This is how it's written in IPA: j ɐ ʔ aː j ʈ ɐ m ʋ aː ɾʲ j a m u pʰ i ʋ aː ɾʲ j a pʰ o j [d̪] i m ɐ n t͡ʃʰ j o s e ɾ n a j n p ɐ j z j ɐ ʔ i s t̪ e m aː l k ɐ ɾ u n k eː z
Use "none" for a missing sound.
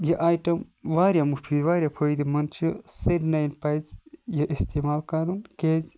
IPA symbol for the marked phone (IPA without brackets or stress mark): d̪